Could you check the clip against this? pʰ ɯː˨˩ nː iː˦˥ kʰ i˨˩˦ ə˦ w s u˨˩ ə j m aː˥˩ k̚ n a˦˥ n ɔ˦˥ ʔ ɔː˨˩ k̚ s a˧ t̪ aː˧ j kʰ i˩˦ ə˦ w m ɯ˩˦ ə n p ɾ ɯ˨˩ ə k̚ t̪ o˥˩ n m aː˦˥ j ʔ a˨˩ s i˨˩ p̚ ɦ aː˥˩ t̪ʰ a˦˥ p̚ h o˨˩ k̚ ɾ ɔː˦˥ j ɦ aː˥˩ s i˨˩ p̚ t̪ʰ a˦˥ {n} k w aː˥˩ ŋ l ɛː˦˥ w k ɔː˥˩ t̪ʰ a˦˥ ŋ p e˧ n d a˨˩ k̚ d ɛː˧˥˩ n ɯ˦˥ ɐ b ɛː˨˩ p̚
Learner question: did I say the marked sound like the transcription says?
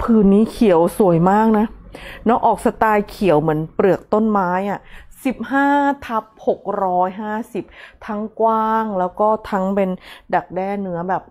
no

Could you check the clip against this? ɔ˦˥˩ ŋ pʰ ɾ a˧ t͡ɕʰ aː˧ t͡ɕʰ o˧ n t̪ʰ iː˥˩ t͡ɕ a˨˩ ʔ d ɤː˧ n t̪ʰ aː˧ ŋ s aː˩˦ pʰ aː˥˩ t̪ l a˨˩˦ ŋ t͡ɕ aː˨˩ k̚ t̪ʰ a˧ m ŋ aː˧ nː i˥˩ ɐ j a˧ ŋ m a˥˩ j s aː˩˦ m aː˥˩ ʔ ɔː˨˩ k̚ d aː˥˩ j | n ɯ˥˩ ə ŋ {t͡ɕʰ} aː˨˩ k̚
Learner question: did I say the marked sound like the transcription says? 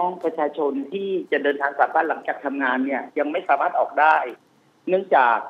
no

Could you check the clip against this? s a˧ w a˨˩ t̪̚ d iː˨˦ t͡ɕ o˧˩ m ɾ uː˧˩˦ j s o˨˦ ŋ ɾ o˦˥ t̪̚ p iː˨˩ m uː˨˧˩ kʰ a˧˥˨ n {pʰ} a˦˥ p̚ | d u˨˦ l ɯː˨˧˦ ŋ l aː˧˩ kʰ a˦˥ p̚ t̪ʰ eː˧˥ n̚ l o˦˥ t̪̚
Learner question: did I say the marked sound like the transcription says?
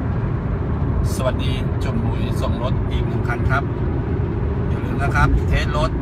no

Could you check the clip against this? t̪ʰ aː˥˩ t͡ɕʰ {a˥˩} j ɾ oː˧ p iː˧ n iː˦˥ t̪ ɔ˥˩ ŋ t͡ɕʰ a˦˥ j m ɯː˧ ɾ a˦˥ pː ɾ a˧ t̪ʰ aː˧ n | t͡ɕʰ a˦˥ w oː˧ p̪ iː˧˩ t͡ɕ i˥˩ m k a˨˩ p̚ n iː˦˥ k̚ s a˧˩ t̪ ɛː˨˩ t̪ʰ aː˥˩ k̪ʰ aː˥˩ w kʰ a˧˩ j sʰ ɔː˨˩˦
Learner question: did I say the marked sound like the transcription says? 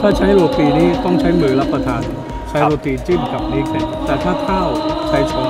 no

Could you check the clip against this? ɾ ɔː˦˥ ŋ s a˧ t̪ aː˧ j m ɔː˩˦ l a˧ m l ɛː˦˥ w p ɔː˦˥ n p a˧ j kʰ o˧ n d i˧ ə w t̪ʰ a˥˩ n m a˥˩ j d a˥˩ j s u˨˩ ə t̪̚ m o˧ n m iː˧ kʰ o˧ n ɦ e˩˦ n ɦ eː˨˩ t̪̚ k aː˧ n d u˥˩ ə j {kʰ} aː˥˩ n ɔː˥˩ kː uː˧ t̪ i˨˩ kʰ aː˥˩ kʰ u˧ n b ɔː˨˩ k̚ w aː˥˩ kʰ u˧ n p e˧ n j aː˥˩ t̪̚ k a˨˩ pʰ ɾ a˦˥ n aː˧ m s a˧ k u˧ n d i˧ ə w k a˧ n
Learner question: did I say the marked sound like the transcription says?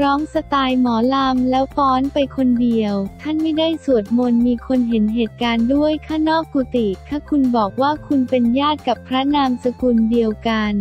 yes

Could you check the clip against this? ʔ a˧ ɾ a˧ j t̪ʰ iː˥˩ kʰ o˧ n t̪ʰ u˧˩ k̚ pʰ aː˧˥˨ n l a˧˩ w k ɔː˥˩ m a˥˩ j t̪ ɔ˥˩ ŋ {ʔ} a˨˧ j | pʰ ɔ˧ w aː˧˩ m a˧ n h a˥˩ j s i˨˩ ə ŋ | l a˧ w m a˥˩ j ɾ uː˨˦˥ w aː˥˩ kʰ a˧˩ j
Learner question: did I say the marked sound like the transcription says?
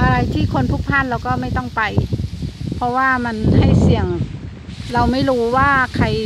no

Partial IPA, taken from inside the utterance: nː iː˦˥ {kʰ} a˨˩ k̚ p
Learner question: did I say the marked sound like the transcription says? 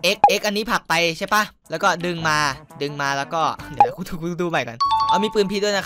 no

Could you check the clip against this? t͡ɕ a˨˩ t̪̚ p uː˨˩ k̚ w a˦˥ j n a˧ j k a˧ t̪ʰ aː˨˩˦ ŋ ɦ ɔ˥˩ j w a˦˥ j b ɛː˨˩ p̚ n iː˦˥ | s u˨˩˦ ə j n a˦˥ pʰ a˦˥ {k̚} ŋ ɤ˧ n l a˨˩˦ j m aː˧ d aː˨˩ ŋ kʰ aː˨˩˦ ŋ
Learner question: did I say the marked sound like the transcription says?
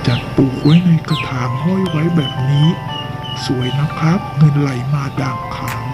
no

